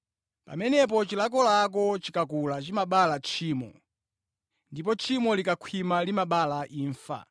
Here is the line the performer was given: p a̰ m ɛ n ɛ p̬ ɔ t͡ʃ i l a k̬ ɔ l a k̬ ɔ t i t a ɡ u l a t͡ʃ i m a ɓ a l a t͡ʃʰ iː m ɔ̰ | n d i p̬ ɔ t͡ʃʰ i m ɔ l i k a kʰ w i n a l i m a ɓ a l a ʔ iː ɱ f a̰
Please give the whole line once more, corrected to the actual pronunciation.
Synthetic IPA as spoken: p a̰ m ɛ n ɛ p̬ ɔ t͡ʃ i l a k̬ ɔ l a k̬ ɔ t͡ʃ i k a k u l a t͡ʃ i m a ɓ a l a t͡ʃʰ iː m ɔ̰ | n d i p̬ ɔ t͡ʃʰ i m ɔ l i k a kʰ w i m a l i m a ɓ a l a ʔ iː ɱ f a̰